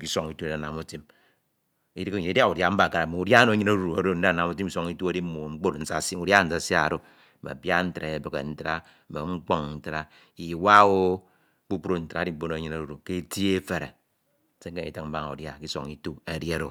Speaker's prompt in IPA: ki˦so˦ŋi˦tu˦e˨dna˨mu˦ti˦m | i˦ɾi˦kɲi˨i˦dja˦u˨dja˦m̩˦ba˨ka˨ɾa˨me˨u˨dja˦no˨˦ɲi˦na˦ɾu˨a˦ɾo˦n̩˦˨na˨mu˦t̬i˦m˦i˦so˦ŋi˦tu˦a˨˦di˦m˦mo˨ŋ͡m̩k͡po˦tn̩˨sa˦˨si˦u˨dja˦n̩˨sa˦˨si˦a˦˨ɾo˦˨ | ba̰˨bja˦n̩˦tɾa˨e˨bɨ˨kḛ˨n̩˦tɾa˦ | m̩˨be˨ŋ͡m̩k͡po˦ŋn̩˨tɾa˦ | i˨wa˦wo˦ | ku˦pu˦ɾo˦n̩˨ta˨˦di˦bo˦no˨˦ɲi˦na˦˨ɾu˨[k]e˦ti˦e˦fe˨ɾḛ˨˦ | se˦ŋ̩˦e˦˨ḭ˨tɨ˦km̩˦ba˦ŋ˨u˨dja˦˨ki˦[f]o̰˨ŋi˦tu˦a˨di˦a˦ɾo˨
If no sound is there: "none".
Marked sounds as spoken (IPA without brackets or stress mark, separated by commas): k, s